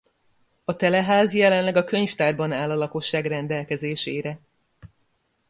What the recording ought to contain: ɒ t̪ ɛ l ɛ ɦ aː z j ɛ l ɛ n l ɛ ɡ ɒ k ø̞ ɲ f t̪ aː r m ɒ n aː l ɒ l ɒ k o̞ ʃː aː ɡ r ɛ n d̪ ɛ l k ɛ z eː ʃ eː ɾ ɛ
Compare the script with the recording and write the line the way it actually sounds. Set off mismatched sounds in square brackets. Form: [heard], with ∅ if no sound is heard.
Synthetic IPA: ɒ t̪ ɛ l ɛ ɦ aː z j ɛ l ɛ n l ɛ ɡ ɒ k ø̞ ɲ f t̪ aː r [b] ɒ n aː l ɒ l ɒ k o̞ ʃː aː ɡ r ɛ n d̪ ɛ l k ɛ z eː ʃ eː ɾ ɛ